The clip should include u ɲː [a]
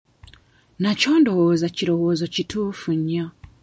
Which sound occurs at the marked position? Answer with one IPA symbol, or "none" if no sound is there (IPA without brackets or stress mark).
a